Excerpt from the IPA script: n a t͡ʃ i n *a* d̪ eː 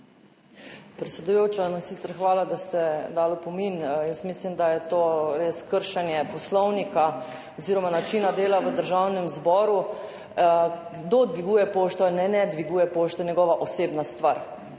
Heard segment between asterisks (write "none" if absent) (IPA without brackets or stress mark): a